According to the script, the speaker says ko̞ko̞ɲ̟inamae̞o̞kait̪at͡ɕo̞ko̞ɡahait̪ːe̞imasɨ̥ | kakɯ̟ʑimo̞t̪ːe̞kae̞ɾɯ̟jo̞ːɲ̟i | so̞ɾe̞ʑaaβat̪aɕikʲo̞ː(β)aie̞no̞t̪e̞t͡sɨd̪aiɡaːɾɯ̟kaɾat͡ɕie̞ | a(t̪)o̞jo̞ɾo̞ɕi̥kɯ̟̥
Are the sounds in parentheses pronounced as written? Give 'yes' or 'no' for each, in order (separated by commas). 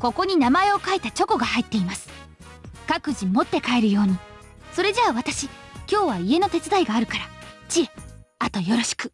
yes, yes